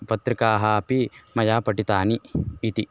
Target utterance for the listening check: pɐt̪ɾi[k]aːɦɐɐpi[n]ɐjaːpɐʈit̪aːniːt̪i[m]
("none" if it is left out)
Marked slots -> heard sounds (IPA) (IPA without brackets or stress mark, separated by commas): k, m, none